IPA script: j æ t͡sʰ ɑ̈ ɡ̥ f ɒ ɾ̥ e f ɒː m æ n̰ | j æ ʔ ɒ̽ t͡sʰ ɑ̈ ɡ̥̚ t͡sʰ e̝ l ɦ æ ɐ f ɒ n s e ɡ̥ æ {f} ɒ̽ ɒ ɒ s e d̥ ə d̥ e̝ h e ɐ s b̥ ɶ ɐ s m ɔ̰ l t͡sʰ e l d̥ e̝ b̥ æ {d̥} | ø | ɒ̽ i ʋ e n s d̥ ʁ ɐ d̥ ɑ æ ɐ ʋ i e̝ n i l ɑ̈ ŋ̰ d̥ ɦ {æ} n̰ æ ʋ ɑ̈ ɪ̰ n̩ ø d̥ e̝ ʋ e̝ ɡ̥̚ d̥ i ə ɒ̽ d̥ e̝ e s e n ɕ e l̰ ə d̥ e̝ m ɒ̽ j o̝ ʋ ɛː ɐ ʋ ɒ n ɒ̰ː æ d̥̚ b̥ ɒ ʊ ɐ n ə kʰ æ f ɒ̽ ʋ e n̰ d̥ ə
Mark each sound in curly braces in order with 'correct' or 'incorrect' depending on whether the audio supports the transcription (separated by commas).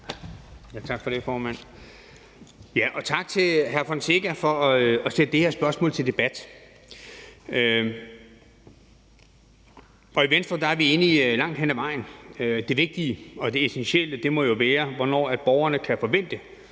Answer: correct, correct, incorrect